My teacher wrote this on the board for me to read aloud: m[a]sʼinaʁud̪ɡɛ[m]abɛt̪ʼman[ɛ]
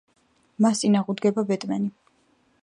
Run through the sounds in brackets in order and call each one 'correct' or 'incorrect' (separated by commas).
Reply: correct, incorrect, incorrect